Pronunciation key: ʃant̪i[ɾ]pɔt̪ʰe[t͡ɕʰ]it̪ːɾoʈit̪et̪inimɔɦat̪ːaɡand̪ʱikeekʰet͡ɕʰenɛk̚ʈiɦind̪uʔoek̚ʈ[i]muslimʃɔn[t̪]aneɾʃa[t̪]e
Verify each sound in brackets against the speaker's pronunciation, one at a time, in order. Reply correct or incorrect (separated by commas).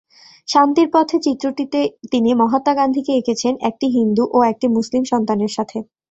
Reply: correct, incorrect, correct, correct, incorrect